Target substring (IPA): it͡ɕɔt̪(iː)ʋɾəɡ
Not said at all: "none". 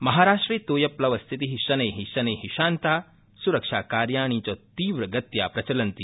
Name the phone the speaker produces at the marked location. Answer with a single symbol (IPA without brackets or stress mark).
iː